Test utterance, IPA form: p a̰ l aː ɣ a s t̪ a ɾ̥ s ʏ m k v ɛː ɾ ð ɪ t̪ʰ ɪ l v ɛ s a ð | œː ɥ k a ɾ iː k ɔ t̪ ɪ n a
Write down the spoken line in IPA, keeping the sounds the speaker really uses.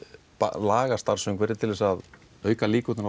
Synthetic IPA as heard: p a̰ l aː ɣ a s t̪ a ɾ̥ s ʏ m k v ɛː ɾ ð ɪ t̪ʰ ɪ l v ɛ s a ð | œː ɥ k a l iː k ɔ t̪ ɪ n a